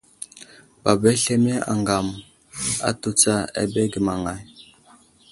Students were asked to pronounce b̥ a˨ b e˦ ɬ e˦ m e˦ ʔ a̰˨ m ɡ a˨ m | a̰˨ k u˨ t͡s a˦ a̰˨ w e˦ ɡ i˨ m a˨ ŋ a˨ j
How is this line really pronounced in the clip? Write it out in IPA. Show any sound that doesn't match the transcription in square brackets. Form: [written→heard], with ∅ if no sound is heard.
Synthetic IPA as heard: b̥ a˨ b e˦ ɬ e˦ m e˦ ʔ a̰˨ [m→ŋ] ɡ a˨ m | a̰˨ [k→t] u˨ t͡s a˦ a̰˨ [w→b] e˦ ɡ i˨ m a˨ ŋ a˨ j

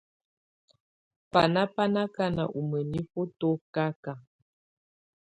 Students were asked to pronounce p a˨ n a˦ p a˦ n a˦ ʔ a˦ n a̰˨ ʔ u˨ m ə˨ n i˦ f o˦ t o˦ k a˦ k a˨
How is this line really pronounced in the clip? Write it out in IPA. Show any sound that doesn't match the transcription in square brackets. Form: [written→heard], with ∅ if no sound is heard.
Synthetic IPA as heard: p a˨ n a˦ p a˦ n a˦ [ʔ→k] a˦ n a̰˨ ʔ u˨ m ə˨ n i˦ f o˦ t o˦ k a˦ k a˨

